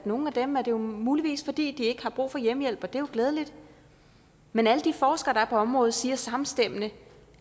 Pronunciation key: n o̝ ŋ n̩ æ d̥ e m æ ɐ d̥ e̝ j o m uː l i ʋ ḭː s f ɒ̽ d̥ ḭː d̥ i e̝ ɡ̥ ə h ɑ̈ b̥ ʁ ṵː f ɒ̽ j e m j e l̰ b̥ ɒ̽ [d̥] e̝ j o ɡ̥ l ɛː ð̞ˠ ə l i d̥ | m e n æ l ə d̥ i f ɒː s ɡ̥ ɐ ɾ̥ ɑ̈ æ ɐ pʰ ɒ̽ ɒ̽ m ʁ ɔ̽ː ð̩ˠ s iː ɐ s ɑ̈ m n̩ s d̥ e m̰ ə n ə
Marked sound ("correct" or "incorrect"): correct